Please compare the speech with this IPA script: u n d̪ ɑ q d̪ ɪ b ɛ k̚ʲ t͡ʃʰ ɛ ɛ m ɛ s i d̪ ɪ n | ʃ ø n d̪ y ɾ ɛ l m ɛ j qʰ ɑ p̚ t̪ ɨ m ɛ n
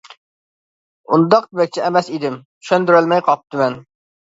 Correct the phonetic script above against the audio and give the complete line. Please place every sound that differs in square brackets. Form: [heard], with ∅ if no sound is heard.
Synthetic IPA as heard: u n d̪ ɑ q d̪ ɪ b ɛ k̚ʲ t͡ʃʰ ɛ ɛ m ɛ s i d̪ ɪ [m] | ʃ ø n d̪ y ɾ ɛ l m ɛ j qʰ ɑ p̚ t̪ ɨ m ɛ n